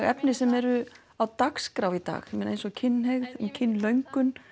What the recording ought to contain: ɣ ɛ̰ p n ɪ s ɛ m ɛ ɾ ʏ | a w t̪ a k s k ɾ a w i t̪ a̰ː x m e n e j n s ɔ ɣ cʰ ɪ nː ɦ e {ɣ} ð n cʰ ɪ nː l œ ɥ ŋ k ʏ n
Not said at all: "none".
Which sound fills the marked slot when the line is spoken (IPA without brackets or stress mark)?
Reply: ɣ